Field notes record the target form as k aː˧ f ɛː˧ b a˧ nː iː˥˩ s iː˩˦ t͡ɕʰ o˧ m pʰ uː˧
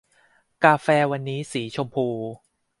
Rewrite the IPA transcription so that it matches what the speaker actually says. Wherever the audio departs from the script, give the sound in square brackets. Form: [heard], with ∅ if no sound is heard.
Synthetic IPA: k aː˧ f ɛː˧ [w] a˧ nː [iː˦˥] s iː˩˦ t͡ɕʰ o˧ m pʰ uː˧